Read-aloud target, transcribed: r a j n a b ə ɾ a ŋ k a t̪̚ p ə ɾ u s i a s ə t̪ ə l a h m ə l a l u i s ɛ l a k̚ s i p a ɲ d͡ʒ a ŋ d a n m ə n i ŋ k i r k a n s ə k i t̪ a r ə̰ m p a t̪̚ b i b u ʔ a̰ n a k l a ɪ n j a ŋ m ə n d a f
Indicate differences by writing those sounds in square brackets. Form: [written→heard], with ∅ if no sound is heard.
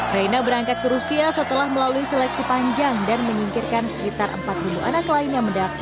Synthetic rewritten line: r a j n a b ə ɾ a ŋ k a t̪̚ [p→k] ə ɾ u s i a s ə t̪ ə l a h m ə l a l u i s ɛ l [a→ɛ] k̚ s i p a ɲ d͡ʒ a ŋ d a n m ə [n→ɲ] i ŋ k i r k a n s ə k i t̪ a r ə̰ m p a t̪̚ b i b u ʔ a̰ n a k l a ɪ n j a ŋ m ə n d a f